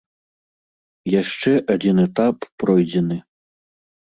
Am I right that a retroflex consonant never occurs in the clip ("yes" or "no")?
no